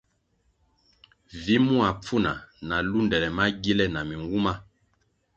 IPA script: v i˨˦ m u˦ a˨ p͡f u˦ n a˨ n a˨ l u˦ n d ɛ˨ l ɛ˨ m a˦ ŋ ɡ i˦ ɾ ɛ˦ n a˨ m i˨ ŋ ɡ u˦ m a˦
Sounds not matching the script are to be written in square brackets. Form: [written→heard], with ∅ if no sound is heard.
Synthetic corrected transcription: v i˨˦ m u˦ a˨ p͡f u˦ n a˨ n a˨ l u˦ n d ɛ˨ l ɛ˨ m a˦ [ŋ→∅] ɡ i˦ [ɾ→l] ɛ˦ n a˨ m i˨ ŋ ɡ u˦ m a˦